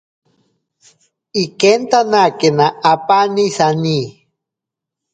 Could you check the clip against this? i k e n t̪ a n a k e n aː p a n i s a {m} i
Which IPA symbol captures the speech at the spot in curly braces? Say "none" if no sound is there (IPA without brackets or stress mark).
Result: n